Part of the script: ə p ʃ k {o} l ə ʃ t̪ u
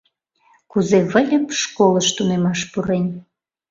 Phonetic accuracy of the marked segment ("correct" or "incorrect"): correct